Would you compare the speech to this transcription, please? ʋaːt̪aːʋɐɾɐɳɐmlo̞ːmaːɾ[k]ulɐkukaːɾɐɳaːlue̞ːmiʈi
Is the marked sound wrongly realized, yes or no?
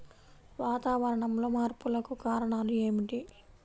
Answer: yes